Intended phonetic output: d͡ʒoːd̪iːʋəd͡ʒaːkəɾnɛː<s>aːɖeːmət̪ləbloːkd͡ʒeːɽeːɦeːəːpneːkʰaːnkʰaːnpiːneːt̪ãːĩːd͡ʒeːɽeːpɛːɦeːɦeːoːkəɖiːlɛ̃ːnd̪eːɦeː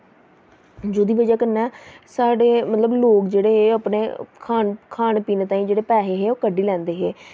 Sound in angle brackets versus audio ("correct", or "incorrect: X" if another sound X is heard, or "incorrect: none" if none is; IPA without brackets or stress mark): correct